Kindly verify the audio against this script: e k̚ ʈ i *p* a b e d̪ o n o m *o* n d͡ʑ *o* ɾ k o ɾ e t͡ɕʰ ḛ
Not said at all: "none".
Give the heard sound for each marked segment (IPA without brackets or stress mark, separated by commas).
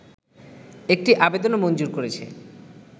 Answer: ʔ, o, u